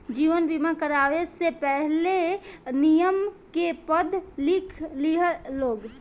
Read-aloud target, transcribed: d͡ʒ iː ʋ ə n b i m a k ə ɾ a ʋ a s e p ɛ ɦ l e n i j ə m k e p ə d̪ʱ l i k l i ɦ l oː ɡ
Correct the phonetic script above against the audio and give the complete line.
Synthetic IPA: d͡ʒ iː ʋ ə n b i m a k ə ɾ a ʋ e s e p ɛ ɦ l e n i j ə m k e p ə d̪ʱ l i kʰ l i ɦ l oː ɡ